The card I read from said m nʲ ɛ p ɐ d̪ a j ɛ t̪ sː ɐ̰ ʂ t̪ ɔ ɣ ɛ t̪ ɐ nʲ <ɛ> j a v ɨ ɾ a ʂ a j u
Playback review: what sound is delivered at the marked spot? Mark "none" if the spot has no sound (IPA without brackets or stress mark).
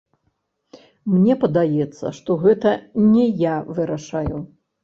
ɛ